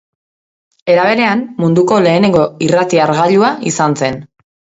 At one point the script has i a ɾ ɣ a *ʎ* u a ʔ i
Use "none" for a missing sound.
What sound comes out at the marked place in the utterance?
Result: ʎ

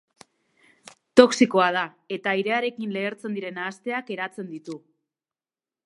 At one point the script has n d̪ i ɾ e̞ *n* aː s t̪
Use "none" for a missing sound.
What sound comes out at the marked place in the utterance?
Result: n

